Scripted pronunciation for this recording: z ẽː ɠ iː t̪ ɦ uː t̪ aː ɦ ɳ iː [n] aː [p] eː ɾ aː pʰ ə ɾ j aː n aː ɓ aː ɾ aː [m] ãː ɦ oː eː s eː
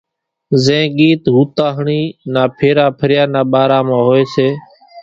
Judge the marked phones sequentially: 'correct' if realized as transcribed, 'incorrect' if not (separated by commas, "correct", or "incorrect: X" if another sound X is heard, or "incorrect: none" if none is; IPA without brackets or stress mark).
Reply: correct, incorrect: pʰ, correct